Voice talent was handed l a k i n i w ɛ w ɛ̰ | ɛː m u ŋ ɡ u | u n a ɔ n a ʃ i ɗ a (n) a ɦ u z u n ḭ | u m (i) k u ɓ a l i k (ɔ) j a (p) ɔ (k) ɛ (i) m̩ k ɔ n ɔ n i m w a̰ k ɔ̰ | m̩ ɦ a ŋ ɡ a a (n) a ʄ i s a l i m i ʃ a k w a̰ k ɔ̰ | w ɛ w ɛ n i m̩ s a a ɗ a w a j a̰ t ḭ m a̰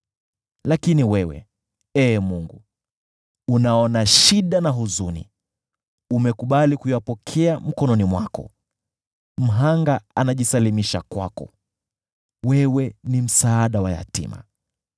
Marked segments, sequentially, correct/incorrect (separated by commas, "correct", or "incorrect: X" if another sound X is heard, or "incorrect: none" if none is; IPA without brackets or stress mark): correct, incorrect: ɛ, incorrect: u, correct, incorrect: kʰ, incorrect: a, correct